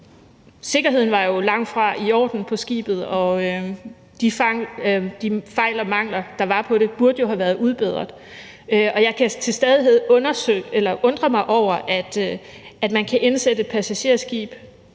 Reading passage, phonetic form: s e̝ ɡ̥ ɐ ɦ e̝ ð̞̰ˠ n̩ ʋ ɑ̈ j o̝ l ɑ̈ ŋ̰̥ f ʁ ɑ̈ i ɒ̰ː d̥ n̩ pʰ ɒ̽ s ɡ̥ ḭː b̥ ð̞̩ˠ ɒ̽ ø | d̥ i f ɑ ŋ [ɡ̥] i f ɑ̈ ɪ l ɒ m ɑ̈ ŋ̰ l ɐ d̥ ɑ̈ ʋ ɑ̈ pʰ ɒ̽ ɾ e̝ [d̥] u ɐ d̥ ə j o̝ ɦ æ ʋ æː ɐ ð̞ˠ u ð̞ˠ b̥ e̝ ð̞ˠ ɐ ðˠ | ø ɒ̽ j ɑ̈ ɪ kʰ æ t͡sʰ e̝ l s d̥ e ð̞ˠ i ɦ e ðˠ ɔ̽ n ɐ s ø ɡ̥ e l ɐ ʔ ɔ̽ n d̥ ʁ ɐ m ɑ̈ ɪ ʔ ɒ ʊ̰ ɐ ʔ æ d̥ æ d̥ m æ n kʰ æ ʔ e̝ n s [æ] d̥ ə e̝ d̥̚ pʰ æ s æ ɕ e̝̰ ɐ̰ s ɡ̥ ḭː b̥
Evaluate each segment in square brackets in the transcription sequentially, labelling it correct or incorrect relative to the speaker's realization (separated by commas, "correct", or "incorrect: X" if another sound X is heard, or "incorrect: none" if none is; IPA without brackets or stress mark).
incorrect: d̥, incorrect: b̥, incorrect: e